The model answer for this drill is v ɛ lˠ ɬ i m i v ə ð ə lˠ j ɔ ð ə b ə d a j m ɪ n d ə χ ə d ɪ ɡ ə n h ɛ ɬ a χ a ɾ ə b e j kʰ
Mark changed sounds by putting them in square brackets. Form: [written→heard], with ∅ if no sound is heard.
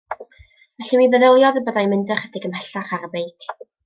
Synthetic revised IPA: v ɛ [lˠ→∅] ɬ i m i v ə ð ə lˠ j ɔ ð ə b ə d a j m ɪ n d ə χ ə d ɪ ɡ ə [n→m] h ɛ ɬ a χ a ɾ ə b e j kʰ

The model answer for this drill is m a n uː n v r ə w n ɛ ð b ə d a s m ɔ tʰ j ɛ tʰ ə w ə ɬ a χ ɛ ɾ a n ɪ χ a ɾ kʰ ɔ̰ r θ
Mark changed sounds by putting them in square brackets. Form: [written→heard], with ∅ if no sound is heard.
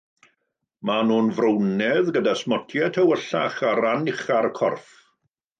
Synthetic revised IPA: m a n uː n v r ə w n ɛ ð [b→ɡ] ə d a s m ɔ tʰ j ɛ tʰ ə w ə ɬ a χ [ɛ→a] ɾ a n ɪ χ a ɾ kʰ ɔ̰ r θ

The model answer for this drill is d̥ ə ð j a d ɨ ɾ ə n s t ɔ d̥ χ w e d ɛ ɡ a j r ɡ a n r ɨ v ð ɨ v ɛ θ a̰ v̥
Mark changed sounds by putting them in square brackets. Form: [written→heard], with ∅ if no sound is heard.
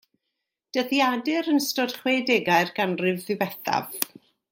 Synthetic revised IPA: d̥ ə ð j a d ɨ ɾ ə n s t ɔ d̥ χ w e d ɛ ɡ a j r ɡ a n r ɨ v ð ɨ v ɛ θ a̰ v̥

